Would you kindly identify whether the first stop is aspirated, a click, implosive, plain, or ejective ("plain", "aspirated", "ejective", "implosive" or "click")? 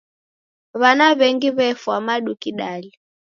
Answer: plain